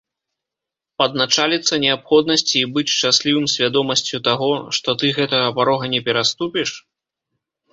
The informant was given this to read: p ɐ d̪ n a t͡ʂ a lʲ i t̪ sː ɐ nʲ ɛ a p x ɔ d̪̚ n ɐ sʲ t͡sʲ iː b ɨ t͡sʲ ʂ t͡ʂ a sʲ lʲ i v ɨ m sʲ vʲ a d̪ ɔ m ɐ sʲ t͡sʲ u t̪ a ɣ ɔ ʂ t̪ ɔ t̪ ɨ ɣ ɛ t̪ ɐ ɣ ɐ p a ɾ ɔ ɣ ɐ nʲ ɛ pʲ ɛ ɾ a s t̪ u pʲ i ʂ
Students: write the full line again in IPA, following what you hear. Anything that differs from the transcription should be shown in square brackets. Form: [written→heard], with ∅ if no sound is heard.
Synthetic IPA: p ɐ d̪ n a t͡ʂ a lʲ i t̪ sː ɐ nʲ ɛ a p x ɔ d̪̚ n ɐ sʲ t͡sʲ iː b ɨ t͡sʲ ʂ t͡ʂ a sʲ lʲ i v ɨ m sʲ vʲ a d̪ ɔ m ɐ sʲ t͡sʲ u t̪ a ɣ ɔ ʂ t̪ ɔ t̪ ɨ ɣ ɛ t̪ ɐ ɣ ɐ p a ɾ ɔ ɣ ɐ nʲ ɛ pʲ ɛ ɾ a s t̪ u pʲ i ʂ

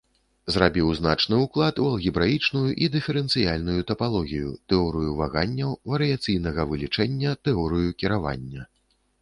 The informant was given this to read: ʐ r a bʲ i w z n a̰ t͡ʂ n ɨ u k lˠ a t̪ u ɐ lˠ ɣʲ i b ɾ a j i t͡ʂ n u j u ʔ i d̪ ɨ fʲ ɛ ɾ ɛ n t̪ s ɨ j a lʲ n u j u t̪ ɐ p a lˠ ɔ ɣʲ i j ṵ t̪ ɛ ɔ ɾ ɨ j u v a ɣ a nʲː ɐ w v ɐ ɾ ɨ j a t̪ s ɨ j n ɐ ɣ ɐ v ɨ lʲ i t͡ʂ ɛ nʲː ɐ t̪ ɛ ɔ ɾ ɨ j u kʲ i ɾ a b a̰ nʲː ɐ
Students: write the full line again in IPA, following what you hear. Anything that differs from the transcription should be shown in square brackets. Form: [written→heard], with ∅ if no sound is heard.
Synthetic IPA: [ʐ→z] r a bʲ i w z n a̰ t͡ʂ n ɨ u k lˠ a t̪ u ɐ lˠ ɣʲ i b ɾ a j i t͡ʂ n u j u ʔ i d̪ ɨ fʲ ɛ ɾ ɛ n t̪ s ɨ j a lʲ n u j u t̪ ɐ p a lˠ ɔ ɣʲ i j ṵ t̪ ɛ ɔ ɾ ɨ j u v a ɣ a nʲː ɐ w v ɐ ɾ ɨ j a t̪ s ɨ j n ɐ ɣ ɐ v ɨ lʲ i t͡ʂ ɛ nʲː ɐ t̪ ɛ ɔ ɾ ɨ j u kʲ i ɾ a [b→v] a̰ nʲː ɐ

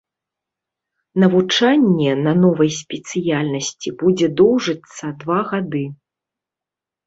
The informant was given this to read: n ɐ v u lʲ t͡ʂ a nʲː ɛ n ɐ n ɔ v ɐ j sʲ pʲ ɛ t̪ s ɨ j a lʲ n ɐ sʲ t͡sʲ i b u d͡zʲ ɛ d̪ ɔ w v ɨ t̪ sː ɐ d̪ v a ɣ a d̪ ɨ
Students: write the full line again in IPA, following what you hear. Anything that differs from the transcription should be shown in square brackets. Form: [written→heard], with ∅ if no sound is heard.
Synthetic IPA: n ɐ v u [lʲ→∅] t͡ʂ a nʲː ɛ n ɐ n ɔ v ɐ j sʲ pʲ ɛ t̪ s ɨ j a lʲ n ɐ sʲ t͡sʲ i b u d͡zʲ ɛ d̪ ɔ w [v→ʐ] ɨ t̪ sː ɐ d̪ v a ɣ a d̪ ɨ

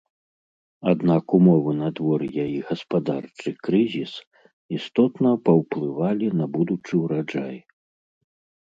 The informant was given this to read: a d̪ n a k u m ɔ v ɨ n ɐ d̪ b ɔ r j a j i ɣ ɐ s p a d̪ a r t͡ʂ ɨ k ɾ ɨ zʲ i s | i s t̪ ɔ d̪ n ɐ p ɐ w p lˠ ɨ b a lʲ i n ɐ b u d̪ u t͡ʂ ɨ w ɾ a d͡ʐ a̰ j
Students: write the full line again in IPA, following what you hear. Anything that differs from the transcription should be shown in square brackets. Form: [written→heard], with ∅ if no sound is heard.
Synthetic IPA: a d̪ n a k u m ɔ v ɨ n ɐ d̪ [b→v] ɔ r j a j i ɣ ɐ s p a d̪ a r t͡ʂ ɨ k ɾ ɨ zʲ i s | i s t̪ ɔ [d̪→t̪] n ɐ p ɐ w p lˠ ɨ [b→v] a lʲ i n ɐ b u d̪ u t͡ʂ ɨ w ɾ a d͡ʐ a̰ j

